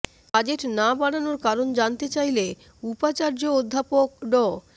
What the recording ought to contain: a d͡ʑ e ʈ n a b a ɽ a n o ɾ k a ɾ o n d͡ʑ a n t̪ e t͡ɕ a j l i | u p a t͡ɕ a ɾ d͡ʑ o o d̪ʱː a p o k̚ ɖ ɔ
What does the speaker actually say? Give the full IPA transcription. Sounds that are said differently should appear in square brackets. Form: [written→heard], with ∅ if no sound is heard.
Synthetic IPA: a d͡ʑ e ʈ n a b a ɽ a n o ɾ k a ɾ o n d͡ʑ a n t̪ e t͡ɕ a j l [i→e] | u p a t͡ɕ a ɾ d͡ʑ o o d̪ʱː a p o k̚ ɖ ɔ